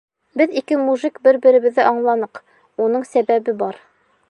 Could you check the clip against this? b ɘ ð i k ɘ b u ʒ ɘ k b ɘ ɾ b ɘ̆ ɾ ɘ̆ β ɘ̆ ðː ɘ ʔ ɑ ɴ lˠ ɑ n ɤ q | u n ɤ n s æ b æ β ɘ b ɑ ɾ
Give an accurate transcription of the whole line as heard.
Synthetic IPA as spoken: b ɘ ð i k ɘ m u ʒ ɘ k b ɘ ɾ b ɘ̆ ɾ ɘ̆ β ɘ̆ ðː ɘ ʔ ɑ ɴ lˠ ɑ n ɤ q | u n ɤ ɴ s æ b æ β ɘ b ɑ ɾ